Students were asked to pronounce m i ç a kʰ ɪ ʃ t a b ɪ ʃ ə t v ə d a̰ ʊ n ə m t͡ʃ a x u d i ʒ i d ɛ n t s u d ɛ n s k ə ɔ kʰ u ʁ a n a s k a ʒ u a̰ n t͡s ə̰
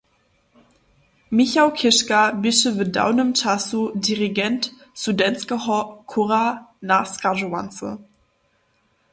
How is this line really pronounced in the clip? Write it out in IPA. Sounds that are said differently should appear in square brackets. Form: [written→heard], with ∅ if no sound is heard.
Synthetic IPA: m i ç a kʰ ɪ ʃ [t→k] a b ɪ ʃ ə [t→∅] v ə d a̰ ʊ n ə m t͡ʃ a [x→s] u d i [ʒ→ʁ] i [d→ɡ] ɛ n t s u d ɛ n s k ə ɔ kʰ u ʁ a n a s k a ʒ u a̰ n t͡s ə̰